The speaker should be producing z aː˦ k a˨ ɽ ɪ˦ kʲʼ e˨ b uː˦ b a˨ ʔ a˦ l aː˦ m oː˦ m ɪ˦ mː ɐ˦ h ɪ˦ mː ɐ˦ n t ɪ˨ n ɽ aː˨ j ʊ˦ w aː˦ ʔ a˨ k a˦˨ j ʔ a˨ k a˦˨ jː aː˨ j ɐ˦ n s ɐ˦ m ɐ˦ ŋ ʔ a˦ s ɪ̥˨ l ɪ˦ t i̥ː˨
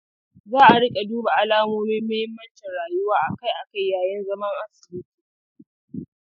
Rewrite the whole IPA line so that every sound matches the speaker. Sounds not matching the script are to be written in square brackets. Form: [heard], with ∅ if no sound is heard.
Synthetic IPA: z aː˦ [ʔ] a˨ ɽ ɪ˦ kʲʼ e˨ [d] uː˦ b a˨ ʔ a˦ l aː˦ m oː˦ m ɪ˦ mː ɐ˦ h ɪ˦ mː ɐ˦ n [t͡ʃ] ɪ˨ n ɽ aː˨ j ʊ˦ w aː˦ ʔ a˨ k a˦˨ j ʔ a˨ k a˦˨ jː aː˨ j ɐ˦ n [z] ɐ˦ m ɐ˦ ŋ ʔ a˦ s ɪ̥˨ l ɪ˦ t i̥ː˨